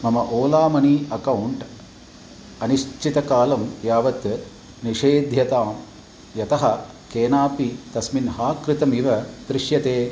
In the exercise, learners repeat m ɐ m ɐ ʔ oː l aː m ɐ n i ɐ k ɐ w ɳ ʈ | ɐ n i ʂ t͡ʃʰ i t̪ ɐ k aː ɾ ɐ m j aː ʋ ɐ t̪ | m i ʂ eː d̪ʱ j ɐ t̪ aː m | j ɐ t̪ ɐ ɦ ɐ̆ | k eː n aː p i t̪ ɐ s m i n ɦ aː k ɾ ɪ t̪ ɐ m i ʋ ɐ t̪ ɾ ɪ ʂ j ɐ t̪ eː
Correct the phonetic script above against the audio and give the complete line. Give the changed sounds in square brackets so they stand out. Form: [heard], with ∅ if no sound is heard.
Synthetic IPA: m ɐ m ɐ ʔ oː l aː m ɐ n i ɐ k ɐ w ɳ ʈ | ɐ n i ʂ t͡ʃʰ i t̪ ɐ k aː [l] ɐ m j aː ʋ ɐ t̪ | [n] i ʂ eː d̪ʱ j ɐ t̪ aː m | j ɐ t̪ ɐ ɦ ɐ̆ | k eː n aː p i t̪ ɐ s m i n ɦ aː k ɾ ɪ t̪ ɐ m i ʋ ɐ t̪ ɾ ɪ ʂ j ɐ t̪ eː

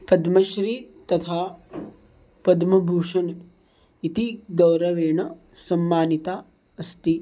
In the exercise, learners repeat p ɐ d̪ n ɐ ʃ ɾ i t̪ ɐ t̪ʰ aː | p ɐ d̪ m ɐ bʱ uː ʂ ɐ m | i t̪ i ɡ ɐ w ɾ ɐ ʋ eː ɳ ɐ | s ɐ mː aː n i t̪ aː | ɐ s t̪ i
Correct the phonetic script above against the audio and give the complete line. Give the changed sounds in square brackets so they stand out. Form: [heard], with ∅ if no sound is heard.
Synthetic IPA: p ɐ d̪ [m] ɐ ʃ ɾ i t̪ ɐ t̪ʰ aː | p ɐ d̪ m ɐ bʱ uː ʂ ɐ [n] | i t̪ i ɡ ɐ w ɾ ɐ ʋ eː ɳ ɐ | s ɐ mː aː n i t̪ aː | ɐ s t̪ i

